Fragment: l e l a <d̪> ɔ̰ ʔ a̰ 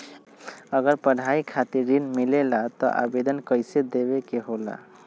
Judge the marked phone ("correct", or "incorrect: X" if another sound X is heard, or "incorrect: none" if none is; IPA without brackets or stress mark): incorrect: t̪